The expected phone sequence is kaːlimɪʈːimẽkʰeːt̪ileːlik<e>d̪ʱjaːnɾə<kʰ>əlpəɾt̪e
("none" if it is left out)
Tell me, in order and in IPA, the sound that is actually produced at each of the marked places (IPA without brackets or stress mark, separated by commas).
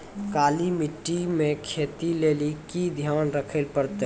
i, kʰ